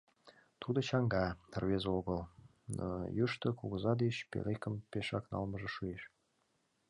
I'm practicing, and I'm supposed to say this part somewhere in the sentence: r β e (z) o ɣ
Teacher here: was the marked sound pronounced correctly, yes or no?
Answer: yes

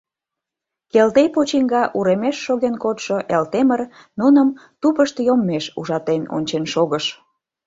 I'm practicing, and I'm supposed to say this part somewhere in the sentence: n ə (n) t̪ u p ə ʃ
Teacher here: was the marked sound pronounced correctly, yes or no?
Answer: no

